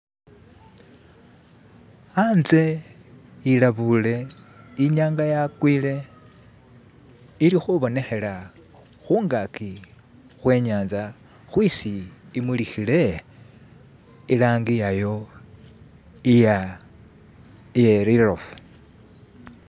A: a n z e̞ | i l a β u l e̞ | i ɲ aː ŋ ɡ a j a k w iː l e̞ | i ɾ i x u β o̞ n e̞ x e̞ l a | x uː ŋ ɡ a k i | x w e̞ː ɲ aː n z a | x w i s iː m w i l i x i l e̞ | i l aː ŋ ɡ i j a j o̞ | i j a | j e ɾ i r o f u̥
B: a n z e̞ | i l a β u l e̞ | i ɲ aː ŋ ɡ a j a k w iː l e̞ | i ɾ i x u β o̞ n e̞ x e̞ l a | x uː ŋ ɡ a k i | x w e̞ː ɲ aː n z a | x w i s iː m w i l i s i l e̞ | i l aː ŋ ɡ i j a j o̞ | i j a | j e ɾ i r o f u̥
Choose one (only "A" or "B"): A